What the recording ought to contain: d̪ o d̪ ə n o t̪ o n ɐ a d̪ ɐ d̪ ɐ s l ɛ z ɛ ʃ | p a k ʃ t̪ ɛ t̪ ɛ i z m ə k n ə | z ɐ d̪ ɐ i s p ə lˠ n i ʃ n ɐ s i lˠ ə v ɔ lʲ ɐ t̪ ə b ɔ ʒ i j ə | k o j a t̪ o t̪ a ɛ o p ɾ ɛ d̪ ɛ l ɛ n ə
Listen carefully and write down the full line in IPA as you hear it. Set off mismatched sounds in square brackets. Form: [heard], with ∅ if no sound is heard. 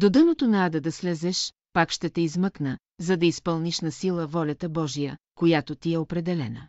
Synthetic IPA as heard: d̪ o d̪ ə n o t̪ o n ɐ a d̪ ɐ d̪ ɐ s l ɛ z ɛ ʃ | p a k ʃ t̪ ɛ t̪ ɛ i z m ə k n ə | z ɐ d̪ ɐ i s p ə lˠ n i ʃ n ɐ s i lˠ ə v ɔ lʲ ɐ t̪ ə b ɔ ʒ i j ə | k o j a t̪ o t̪ [i] ɛ o p ɾ ɛ d̪ ɛ l ɛ n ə